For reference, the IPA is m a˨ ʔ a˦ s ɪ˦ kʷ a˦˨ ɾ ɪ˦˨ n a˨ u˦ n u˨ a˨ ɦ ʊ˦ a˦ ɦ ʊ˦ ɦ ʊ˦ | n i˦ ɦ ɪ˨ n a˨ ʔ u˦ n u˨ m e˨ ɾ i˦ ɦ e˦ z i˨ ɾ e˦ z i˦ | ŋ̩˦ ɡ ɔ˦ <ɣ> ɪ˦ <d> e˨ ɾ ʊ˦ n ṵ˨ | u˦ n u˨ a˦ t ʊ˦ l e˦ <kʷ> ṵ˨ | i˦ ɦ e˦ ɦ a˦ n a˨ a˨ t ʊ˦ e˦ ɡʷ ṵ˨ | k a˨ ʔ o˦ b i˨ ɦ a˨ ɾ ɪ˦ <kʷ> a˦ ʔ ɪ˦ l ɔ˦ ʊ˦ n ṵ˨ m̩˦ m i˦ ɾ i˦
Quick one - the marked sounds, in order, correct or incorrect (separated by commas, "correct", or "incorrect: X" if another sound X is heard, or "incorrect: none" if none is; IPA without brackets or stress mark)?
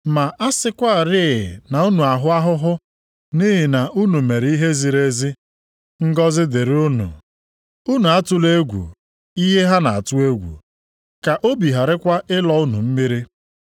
incorrect: z, correct, incorrect: ɡʷ, correct